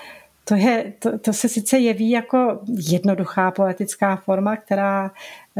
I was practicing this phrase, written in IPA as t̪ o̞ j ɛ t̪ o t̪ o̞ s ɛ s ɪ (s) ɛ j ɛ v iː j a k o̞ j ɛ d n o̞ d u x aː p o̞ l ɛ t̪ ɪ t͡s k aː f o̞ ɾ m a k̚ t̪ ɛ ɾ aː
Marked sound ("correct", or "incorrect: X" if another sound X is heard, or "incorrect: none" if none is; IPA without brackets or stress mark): incorrect: t͡s